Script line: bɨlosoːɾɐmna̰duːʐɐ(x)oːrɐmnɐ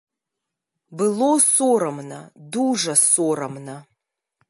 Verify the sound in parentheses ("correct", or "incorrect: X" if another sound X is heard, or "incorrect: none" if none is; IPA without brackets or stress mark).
incorrect: s